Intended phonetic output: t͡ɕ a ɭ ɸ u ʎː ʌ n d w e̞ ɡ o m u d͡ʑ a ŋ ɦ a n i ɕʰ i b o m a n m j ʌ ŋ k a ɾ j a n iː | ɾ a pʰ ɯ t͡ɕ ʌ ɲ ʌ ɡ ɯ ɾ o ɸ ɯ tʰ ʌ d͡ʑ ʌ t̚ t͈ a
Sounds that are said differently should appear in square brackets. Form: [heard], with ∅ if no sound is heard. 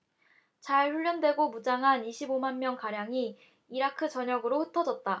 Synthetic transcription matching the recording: t͡ɕ a ɭ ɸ u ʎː ʌ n d w e̞ ɡ o m u d͡ʑ a ŋ ɦ a n i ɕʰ i b o m a n m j ʌ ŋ k a ɾ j a [ŋ] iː | ɾ a [kʰ] ɯ t͡ɕ ʌ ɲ ʌ ɡ ɯ ɾ o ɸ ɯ tʰ ʌ d͡ʑ ʌ t̚ t͈ a